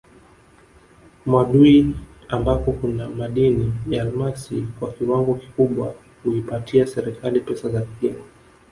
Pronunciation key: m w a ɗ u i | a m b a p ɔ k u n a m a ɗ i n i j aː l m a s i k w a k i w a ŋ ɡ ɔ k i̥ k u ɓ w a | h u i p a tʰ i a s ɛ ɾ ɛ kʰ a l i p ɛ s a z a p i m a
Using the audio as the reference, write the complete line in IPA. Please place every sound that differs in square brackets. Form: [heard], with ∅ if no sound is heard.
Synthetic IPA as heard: m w a ɗ u i | a m b a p ɔ k u n a m a ɗ i n i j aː l m a s i k w a k i w a ŋ ɡ ɔ k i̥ k u ɓ w a | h u i p a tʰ i a s ɛ ɾ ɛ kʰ a l i p ɛ s a z a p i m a